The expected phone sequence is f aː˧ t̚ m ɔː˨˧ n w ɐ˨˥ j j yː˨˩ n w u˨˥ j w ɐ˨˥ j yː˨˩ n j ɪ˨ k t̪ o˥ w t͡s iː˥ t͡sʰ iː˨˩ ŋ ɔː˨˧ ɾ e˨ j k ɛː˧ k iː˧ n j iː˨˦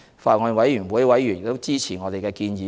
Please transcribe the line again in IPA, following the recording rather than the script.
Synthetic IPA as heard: f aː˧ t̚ ŋ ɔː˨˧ n w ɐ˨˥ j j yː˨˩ n w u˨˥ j w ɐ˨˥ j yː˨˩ n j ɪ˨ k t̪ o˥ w t͡s iː˥ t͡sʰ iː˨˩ ŋ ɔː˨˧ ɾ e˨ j k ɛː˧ k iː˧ n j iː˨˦